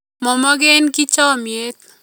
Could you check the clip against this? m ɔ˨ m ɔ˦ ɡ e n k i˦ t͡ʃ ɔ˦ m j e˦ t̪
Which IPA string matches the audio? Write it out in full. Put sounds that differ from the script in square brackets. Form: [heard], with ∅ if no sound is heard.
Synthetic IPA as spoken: m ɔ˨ m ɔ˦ ɡ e n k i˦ t͡ʃ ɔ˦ m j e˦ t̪